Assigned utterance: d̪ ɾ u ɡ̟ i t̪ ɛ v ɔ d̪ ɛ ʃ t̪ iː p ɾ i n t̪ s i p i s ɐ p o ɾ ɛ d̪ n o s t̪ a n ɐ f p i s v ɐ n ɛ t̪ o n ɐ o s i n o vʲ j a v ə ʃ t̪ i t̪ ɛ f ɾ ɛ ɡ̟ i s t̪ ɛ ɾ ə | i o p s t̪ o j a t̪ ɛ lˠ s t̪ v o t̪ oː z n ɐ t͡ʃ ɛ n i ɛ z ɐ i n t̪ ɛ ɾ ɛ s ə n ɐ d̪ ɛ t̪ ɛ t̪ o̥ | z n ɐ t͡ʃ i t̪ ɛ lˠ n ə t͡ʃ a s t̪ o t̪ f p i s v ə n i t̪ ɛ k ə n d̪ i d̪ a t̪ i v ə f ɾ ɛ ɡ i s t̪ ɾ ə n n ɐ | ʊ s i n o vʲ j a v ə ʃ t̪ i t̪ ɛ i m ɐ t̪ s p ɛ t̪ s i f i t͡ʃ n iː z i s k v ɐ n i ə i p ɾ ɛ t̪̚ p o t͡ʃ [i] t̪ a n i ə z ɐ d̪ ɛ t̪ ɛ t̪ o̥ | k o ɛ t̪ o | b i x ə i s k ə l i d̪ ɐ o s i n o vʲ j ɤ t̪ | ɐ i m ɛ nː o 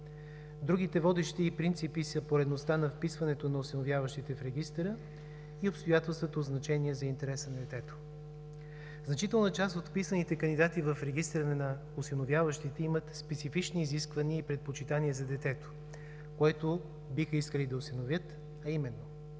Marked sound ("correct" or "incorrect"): correct